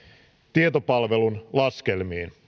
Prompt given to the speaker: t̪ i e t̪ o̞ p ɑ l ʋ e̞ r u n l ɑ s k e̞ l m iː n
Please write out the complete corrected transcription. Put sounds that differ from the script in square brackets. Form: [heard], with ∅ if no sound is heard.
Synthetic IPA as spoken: t̪ i e t̪ o̞ p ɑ l ʋ e̞ [l] u n l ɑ s k e̞ l m iː n